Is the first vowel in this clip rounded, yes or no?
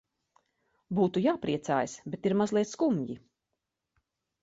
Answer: yes